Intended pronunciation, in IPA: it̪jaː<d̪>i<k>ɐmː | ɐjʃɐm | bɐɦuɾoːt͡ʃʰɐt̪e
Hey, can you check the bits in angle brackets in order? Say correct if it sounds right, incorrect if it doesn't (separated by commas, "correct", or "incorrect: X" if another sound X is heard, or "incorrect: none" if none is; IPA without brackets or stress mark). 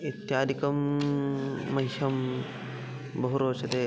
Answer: correct, correct